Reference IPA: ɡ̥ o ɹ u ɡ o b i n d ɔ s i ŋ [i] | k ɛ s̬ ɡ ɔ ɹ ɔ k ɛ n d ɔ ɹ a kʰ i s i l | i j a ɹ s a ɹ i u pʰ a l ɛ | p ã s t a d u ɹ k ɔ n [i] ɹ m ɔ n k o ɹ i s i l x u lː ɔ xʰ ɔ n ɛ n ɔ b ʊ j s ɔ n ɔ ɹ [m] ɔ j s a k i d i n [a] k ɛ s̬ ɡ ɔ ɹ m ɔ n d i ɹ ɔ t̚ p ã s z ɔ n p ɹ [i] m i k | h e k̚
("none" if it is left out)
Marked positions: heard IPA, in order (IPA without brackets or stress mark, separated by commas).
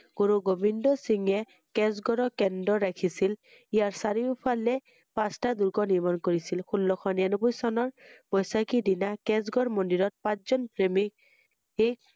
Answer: ɛ, i, b, a, e